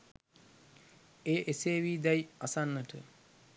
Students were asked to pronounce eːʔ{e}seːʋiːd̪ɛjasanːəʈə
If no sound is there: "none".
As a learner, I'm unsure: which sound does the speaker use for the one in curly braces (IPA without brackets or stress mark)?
e